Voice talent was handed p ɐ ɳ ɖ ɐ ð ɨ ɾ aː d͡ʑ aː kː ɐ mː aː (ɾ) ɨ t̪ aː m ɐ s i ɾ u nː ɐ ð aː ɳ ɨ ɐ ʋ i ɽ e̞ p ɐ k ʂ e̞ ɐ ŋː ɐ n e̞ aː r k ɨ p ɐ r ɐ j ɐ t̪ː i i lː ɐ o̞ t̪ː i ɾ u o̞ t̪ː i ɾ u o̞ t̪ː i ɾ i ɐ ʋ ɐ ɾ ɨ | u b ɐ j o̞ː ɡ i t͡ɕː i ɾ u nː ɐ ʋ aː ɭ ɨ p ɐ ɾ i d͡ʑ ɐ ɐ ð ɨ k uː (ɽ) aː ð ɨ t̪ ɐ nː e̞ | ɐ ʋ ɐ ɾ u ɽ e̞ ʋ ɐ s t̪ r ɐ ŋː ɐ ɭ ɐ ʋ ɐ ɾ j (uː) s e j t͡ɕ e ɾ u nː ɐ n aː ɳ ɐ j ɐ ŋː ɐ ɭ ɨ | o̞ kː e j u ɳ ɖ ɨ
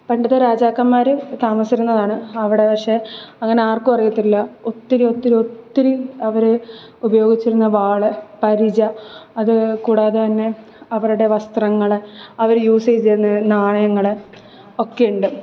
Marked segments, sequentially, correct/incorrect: correct, correct, correct

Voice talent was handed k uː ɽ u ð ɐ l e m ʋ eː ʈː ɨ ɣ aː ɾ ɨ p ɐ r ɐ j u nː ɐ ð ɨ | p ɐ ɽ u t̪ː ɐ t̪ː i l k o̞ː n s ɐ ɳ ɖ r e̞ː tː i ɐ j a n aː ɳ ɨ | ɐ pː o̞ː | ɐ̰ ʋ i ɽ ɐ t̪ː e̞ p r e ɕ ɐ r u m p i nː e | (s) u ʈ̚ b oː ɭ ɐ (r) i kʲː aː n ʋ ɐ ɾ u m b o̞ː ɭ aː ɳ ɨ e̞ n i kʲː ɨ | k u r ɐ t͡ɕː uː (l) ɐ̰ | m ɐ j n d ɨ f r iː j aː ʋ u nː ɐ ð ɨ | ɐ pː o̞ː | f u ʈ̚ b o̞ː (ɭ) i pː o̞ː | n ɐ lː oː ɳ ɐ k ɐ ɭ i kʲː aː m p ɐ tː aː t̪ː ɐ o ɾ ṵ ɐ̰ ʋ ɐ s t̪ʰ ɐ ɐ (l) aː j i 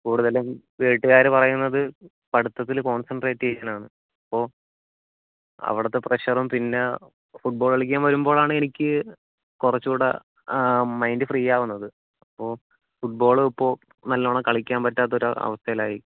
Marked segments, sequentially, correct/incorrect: incorrect: f, incorrect: ɭ, incorrect: ɽ, correct, correct

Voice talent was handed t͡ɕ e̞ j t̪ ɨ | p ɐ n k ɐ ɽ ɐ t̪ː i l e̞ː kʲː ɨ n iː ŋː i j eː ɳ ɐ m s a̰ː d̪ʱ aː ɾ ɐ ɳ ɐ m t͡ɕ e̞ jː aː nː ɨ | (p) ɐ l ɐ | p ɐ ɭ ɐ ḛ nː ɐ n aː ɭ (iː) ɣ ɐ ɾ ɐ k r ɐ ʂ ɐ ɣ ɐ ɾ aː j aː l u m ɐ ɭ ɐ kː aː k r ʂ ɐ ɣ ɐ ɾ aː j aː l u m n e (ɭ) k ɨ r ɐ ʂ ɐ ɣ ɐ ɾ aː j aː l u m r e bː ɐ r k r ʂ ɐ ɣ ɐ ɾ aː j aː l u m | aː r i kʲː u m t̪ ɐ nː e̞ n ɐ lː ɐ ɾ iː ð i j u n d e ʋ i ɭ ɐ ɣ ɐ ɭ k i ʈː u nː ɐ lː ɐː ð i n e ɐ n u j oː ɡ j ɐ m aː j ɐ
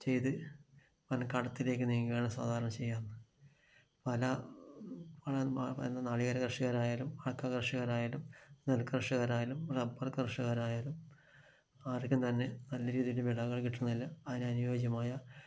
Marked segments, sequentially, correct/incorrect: correct, incorrect: i, incorrect: l

